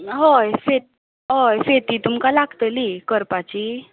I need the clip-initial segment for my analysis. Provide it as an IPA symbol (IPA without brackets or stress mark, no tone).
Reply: ɦ